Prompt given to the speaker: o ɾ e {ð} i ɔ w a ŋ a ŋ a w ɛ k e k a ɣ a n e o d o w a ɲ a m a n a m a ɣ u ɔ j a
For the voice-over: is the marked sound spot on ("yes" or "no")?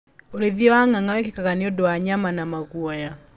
yes